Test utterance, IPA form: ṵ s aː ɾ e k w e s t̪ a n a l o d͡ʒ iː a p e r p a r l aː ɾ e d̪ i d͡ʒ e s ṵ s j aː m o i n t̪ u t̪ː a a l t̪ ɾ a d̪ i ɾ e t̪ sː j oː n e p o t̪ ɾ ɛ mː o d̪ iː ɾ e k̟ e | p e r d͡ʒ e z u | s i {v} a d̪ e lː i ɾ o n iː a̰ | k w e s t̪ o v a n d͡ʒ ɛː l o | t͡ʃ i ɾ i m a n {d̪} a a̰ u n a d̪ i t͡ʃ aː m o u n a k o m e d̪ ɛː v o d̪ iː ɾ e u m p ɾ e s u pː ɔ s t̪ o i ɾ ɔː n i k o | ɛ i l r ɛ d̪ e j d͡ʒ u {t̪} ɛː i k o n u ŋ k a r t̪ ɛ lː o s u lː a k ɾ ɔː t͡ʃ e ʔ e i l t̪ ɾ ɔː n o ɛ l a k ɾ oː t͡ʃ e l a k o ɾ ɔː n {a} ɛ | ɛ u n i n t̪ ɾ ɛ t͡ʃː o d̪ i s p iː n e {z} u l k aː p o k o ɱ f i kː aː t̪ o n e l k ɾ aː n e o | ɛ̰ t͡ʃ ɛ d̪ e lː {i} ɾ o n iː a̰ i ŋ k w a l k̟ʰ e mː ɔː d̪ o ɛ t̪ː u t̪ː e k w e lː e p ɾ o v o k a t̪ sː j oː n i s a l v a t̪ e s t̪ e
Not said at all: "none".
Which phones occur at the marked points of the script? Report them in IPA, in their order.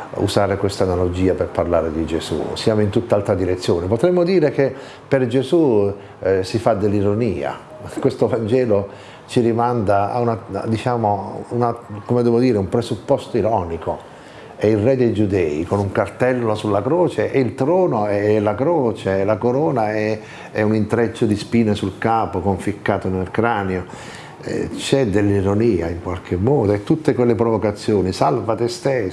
f, d̪, d̪, a, s, i

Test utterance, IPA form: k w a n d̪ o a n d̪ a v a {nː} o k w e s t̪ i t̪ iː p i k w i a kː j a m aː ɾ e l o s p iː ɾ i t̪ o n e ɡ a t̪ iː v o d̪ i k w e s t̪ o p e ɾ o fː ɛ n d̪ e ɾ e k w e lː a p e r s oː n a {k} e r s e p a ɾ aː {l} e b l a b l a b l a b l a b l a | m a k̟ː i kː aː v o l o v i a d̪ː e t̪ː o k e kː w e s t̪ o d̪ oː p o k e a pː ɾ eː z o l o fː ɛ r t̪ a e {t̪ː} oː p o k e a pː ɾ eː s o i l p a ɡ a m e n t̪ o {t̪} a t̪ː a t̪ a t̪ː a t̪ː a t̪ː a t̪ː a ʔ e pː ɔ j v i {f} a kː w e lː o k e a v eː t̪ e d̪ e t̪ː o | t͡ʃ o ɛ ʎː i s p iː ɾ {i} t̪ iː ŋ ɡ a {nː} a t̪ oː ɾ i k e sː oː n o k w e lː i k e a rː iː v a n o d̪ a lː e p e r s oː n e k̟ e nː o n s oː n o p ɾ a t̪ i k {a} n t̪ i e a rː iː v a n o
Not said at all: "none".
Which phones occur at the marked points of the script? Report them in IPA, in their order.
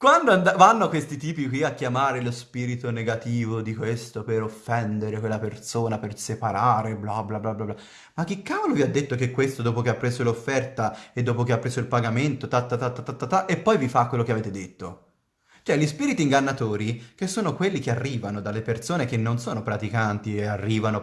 nː, p, ɾ, d̪ː, t̪, f, i, nː, a

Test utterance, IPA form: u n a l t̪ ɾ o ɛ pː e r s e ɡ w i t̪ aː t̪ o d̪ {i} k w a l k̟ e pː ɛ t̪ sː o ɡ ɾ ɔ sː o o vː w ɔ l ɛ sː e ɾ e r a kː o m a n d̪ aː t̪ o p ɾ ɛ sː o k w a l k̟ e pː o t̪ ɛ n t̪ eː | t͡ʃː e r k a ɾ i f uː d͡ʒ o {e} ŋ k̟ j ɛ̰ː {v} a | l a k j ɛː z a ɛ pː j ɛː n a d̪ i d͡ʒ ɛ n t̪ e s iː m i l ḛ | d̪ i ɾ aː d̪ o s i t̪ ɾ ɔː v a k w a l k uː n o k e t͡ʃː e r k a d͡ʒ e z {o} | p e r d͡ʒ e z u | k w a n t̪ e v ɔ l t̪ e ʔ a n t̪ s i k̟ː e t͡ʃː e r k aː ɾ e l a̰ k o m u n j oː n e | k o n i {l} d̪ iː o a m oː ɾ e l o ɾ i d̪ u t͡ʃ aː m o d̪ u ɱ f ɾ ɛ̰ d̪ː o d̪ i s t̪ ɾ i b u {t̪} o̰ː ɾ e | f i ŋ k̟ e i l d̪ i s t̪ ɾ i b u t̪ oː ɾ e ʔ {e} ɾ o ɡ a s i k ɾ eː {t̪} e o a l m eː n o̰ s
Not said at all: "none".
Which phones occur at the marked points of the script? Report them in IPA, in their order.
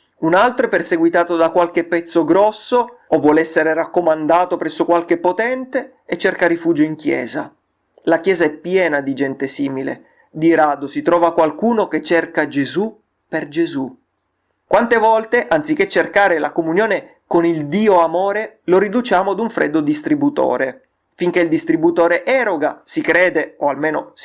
a, i, z, u, l, t̪, ɛ, d̪

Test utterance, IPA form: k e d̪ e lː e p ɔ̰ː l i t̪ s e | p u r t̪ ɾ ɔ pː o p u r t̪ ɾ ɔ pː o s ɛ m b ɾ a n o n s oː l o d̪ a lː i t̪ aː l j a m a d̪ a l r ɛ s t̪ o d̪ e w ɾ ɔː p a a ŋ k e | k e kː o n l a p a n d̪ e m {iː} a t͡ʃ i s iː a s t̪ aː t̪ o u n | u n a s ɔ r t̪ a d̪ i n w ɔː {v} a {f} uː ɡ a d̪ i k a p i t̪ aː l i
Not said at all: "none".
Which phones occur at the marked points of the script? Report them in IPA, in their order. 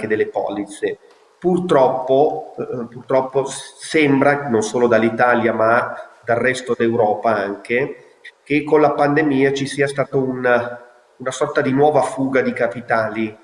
iː, v, f

